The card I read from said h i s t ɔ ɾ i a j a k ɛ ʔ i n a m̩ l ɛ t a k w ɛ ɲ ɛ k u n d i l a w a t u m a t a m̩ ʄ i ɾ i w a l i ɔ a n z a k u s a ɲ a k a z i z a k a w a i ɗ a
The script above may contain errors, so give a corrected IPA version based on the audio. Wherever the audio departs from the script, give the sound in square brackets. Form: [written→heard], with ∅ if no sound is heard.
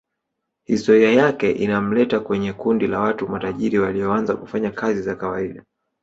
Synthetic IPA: h i s t ɔ ɾ i a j a k ɛ ʔ i n a m̩ l ɛ t a k w ɛ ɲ ɛ k u n d i l a w a t u m a t a [m̩→∅] ʄ i ɾ i w a l i ɔ a n z a k u [s→f] a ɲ a k a z i z a k a w a i ɗ a